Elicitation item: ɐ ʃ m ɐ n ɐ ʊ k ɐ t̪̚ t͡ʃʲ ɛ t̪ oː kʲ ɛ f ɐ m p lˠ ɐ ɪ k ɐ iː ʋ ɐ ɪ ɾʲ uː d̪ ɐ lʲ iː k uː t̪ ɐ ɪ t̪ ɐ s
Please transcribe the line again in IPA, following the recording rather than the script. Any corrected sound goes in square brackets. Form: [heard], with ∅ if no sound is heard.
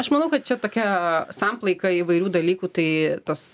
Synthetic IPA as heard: ɐ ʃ m ɐ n ɐ ʊ k ɐ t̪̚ t͡ʃʲ ɛ t̪ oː kʲ ɛ [s] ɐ m p lˠ ɐ ɪ k ɐ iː ʋ ɐ ɪ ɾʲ uː d̪ ɐ lʲ iː k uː t̪ ɐ ɪ t̪ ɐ s